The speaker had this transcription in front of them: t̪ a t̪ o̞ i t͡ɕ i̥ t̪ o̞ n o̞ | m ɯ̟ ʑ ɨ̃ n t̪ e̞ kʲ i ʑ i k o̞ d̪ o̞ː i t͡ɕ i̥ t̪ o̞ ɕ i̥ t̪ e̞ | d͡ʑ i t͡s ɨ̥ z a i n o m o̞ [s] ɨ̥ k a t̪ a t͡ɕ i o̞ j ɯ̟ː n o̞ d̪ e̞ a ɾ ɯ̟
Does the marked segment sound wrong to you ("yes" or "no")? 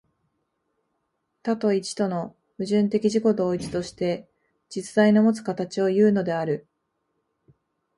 yes